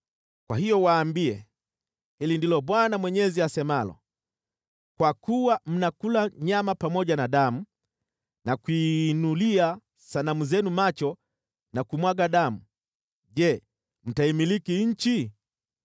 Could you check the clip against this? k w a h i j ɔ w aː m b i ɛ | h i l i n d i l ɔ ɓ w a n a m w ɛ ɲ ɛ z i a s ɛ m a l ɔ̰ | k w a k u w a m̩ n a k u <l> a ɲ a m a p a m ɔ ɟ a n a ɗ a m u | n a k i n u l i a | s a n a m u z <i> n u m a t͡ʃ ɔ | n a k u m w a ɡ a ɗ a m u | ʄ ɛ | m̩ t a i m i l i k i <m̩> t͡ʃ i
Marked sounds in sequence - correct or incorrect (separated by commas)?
correct, incorrect, incorrect